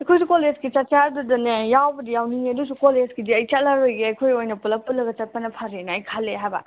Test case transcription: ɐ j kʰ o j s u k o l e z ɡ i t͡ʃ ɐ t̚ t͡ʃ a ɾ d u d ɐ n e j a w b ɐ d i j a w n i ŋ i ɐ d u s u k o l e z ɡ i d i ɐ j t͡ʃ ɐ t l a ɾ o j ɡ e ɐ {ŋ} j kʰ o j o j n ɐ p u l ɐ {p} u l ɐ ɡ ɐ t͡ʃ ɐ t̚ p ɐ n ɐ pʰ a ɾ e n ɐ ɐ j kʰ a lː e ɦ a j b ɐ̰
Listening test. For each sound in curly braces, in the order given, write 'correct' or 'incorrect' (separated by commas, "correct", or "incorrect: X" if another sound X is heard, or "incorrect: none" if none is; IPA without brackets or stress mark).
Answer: incorrect: none, correct